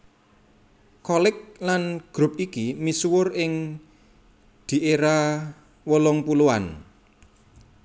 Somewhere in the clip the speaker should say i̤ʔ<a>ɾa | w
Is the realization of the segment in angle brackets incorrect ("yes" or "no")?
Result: yes